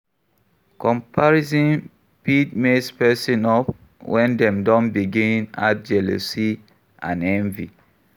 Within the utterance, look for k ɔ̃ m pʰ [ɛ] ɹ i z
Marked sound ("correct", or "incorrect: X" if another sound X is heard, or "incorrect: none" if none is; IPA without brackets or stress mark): incorrect: a